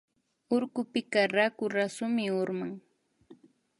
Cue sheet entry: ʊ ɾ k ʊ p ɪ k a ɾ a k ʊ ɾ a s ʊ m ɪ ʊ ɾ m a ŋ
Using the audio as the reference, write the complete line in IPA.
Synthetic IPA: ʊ ɾ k ʊ p ɪ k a ɾ a k ʊ ɾ a s ʊ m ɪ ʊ ɾ m a ŋ